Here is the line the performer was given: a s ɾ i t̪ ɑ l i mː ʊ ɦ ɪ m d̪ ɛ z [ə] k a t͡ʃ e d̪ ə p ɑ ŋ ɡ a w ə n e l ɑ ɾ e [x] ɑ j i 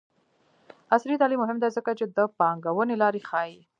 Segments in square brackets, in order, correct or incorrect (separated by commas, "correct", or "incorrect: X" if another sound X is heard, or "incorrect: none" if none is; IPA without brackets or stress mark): correct, correct